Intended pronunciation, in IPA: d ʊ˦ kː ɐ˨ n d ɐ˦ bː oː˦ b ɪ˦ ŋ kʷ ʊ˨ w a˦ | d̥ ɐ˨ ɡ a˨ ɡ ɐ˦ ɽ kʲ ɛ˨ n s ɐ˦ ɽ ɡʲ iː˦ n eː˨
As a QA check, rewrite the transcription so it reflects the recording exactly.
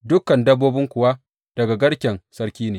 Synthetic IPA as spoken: d ʊ˦ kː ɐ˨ n d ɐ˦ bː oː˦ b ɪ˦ ŋ kʷ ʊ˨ w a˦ | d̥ ɐ˨ ɡ a˨ ɡ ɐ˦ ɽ kʲ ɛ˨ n s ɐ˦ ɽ kʲ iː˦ n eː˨